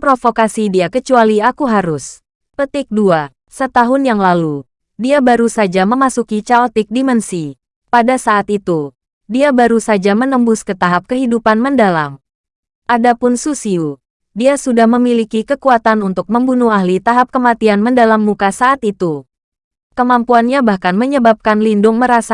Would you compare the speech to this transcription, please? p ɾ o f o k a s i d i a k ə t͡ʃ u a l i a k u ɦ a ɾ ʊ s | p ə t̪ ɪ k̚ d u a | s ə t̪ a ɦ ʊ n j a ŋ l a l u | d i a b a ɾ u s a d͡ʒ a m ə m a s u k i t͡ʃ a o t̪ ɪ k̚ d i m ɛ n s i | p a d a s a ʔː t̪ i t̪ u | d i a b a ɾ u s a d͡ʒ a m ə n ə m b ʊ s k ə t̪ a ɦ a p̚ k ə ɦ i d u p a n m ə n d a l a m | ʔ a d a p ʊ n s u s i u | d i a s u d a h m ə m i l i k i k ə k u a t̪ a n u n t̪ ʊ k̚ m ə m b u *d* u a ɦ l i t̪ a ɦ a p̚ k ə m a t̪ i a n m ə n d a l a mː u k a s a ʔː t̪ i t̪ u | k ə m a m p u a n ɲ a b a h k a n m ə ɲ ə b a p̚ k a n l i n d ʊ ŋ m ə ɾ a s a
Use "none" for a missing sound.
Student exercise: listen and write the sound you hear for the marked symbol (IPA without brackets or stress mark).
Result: n